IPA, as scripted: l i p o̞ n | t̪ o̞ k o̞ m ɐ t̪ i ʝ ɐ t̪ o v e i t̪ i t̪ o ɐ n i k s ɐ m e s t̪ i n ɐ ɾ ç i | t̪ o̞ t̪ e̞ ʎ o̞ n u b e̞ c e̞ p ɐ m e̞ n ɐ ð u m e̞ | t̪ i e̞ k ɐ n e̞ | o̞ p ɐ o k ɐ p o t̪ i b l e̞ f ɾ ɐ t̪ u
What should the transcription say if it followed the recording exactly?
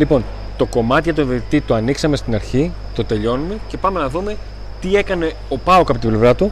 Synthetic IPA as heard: l i p o̞ n | t̪ o̞ k o̞ m ɐ t̪ i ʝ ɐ t̪ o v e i t̪ i t̪ o ɐ n i k s ɐ m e s t̪ i n ɐ ɾ ç i | t̪ o̞ t̪ e̞ ʎ o̞ n u m e̞ c e̞ p ɐ m e̞ n ɐ ð u m e̞ | t̪ i e̞ k ɐ n e̞ | o̞ p ɐ o k ɐ p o t̪ i b l e̞ v ɾ ɐ t̪ u